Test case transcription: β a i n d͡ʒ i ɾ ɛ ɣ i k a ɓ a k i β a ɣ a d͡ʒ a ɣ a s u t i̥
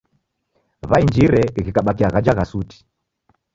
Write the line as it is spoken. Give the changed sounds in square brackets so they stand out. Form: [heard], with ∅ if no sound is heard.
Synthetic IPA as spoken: β a i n d͡ʒ i ɾ ɛ ɣ i k a ɓ a k i [∅] a ɣ a d͡ʒ a ɣ a s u t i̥